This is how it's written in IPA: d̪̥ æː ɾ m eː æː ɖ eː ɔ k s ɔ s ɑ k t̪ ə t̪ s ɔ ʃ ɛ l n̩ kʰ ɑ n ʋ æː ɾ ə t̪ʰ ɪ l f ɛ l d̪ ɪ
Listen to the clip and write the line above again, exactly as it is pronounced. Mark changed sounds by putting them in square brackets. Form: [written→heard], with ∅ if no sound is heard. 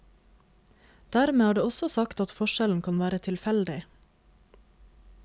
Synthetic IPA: d̪̥ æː ɾ m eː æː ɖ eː ɔ [k→∅] s ɔ s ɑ k t̪ [ə→ɑ] t̪ [s→f] ɔ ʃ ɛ l n̩ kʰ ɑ n ʋ æː ɾ ə t̪ʰ ɪ l f ɛ l d̪ ɪ